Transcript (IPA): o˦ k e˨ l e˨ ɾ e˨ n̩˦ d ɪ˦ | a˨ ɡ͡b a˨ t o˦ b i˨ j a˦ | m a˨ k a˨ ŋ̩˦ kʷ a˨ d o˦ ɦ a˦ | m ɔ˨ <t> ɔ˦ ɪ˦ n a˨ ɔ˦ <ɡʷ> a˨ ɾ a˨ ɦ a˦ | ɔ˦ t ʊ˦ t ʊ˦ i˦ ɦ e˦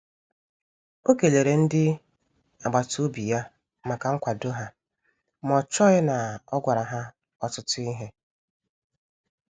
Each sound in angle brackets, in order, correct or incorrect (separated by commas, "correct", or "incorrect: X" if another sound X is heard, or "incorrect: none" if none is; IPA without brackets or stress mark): incorrect: t͡ʃ, correct